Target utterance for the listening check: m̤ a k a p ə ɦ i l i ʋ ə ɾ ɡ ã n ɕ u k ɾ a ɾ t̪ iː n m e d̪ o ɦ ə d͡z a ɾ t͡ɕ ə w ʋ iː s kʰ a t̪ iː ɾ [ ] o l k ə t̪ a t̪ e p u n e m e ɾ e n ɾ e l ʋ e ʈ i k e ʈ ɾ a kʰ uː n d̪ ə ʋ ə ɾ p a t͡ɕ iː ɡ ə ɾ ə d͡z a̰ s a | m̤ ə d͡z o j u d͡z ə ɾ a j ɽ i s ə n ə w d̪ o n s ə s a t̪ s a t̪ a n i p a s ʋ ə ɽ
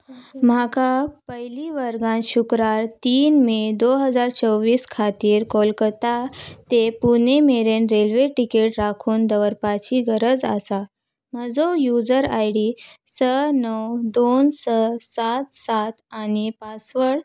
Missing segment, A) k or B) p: A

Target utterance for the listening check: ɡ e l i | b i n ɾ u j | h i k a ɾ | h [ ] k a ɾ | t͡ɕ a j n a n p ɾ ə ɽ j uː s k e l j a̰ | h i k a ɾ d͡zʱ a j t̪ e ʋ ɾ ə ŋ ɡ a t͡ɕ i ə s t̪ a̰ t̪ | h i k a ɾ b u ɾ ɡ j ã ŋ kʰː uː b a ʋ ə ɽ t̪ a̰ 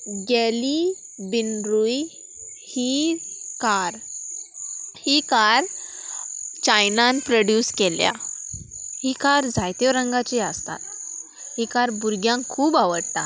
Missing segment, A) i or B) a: A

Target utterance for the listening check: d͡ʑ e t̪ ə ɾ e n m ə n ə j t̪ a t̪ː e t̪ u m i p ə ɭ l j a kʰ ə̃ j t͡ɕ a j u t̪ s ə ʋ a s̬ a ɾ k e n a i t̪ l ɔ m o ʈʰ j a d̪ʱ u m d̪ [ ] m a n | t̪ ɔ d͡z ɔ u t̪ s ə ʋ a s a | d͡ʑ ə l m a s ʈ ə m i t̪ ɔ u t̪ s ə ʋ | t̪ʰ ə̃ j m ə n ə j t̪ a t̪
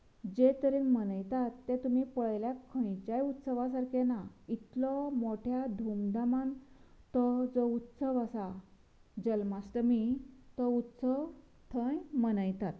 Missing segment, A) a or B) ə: A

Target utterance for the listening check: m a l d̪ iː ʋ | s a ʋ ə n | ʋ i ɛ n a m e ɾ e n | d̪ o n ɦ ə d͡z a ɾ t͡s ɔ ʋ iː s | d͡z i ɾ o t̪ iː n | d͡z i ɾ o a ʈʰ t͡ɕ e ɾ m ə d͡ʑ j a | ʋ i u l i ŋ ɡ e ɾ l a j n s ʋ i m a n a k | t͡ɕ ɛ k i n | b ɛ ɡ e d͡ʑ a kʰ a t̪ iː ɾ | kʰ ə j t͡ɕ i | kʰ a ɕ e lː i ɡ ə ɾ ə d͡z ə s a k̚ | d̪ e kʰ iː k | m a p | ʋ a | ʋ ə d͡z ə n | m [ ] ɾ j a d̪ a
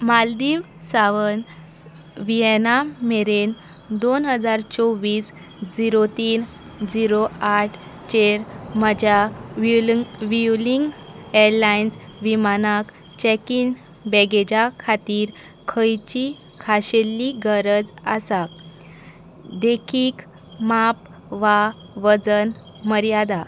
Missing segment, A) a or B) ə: B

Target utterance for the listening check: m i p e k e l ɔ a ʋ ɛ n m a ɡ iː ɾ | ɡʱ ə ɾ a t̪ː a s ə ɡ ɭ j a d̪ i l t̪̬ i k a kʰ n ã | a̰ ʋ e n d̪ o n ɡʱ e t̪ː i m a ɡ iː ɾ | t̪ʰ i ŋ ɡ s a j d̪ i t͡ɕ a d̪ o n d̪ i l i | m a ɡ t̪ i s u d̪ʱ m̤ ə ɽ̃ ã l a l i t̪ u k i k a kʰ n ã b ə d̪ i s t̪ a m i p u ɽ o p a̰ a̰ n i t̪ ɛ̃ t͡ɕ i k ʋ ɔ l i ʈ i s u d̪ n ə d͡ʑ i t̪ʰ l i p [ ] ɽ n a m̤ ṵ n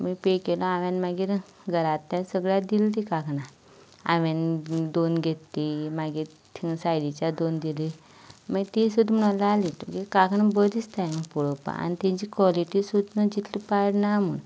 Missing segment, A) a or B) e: A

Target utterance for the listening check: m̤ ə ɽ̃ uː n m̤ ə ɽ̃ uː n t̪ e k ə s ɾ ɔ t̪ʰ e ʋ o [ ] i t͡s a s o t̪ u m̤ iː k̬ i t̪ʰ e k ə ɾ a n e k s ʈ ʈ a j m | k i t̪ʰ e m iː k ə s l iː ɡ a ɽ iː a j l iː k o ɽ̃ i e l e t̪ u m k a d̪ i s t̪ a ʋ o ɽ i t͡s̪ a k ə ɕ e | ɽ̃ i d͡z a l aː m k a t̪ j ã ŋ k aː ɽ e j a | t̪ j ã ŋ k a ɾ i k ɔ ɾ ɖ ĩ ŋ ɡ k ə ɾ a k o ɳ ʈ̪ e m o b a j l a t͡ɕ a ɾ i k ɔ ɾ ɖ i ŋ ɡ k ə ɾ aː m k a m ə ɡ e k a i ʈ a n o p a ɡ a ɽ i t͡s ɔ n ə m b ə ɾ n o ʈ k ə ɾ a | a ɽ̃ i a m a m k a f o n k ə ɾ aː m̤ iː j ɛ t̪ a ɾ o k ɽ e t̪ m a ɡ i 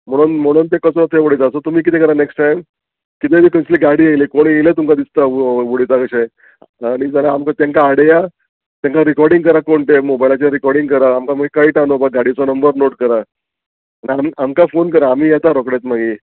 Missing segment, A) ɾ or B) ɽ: B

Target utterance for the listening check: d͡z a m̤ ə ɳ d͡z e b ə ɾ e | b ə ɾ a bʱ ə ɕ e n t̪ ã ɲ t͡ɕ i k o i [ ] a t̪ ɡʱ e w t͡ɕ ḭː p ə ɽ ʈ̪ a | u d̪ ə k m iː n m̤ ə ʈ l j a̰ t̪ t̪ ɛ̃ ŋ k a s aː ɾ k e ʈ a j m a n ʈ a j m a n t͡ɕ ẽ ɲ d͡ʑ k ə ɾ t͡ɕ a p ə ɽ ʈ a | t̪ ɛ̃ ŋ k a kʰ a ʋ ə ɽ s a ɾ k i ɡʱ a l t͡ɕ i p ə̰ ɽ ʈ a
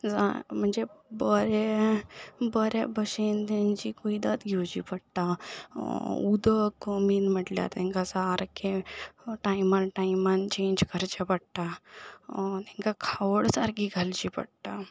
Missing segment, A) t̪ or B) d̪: B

